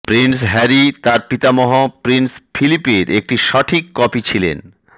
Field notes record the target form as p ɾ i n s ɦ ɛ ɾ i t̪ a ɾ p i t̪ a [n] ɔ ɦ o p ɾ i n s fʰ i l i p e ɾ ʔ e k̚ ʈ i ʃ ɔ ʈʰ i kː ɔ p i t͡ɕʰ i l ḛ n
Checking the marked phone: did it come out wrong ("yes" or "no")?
yes